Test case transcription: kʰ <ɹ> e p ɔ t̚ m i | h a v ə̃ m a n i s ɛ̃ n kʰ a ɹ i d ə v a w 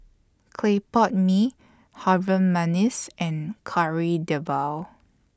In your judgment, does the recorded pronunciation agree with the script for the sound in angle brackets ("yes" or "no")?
no